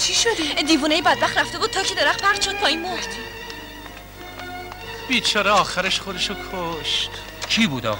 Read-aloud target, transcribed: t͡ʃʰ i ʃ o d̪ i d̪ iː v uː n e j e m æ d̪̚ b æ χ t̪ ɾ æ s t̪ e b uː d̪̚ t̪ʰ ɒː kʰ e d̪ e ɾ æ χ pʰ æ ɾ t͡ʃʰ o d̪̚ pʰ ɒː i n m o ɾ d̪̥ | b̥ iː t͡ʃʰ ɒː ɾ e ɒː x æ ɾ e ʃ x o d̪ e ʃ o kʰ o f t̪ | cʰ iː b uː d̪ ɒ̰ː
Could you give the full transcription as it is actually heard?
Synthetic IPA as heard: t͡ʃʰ i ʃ o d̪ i d̪ iː v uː n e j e b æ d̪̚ b æ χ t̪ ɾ æ f t̪ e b uː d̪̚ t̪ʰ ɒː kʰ e d̪ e ɾ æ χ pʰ æ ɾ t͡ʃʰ o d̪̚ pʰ ɒː i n m o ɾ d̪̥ | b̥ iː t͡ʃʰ ɒː ɾ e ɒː x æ ɾ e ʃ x o d̪ e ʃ o kʰ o ʃ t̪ | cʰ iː b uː d̪ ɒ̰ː